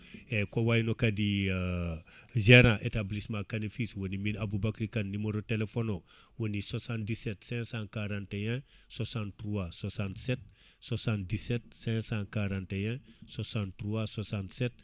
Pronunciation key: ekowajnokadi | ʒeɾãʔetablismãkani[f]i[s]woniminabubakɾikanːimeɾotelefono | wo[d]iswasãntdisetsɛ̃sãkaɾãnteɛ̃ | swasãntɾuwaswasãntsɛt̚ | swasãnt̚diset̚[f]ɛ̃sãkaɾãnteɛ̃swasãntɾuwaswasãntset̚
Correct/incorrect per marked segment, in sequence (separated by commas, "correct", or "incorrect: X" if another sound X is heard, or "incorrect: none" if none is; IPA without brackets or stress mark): correct, correct, incorrect: n, incorrect: s